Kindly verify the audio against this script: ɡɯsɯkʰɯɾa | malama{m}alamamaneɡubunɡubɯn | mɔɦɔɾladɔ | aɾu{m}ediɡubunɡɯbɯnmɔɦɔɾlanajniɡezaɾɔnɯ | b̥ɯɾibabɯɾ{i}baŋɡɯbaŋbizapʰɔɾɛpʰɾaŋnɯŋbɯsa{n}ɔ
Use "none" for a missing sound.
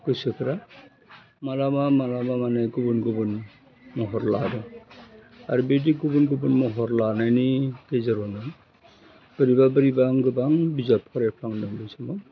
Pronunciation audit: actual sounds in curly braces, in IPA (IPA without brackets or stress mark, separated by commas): m, b, i, m